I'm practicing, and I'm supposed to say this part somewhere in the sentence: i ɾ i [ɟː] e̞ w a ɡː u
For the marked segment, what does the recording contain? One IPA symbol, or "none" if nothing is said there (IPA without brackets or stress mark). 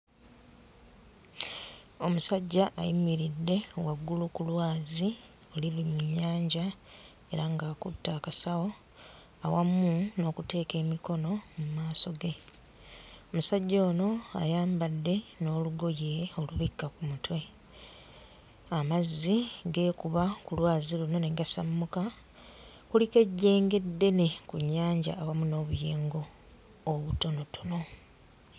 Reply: dː